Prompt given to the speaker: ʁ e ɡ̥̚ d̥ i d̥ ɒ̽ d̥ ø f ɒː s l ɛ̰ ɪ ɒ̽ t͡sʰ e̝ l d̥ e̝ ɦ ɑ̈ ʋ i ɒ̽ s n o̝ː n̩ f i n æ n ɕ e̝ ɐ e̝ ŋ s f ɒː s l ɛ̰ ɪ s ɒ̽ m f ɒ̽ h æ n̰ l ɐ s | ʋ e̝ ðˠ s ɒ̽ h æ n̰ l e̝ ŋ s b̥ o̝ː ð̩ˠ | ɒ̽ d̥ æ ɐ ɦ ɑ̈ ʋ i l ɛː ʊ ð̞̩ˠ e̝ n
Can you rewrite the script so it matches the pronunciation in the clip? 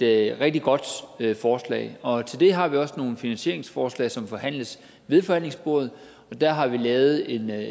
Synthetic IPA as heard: ʁ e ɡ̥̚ d̥ i ɡ̥ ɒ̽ d̥ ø f ɒː s l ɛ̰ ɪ ɒ̽ t͡sʰ e̝ l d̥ e̝ ɦ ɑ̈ ʋ i ɒ̽ s n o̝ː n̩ f i n æ n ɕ e̝ ɐ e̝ ŋ s f ɒː s l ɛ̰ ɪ s ɒ̽ m f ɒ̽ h æ n̰ l ə s | ʋ e̝ ðˠ f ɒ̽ h æ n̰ l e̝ ŋ s b̥ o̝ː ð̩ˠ | ɒ̽ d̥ æ ɐ ɦ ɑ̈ ʋ i l ɛː ʊ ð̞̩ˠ e̝ n